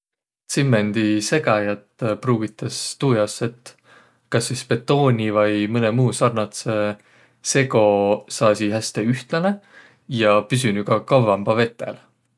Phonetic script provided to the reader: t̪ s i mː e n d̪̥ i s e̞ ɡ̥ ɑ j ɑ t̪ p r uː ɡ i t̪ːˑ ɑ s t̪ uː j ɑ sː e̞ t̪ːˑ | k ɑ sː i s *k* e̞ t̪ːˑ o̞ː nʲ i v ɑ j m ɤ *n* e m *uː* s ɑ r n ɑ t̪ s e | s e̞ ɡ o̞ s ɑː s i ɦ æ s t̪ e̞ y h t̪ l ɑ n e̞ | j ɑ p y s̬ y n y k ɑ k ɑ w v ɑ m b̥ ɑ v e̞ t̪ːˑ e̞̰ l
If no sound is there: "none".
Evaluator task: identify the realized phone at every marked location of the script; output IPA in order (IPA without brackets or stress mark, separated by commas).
p, n, uː